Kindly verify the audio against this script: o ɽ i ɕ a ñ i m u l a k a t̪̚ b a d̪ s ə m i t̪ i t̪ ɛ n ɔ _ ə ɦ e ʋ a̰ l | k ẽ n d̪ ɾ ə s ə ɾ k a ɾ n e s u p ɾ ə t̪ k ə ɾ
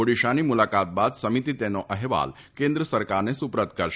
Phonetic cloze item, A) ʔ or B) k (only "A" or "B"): A